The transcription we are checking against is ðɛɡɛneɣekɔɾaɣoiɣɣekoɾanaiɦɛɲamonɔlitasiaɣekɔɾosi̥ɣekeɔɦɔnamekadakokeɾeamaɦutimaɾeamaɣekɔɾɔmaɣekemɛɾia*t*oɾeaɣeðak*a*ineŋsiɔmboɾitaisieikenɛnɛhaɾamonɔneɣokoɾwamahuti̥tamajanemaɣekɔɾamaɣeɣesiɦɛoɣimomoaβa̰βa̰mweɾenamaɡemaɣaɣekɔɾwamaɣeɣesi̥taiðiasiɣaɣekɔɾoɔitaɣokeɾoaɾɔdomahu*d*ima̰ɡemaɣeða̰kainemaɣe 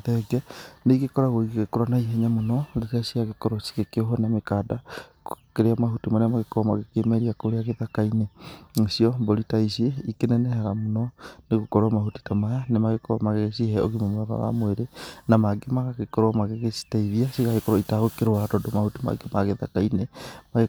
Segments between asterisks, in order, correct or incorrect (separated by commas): incorrect, correct, incorrect